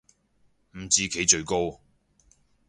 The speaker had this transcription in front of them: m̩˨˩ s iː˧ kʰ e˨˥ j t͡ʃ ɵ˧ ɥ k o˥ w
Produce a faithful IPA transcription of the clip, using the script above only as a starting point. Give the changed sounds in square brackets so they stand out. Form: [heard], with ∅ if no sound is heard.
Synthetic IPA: m̩˨˩ [t͡s] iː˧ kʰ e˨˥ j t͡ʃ ɵ˧ ɥ k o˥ w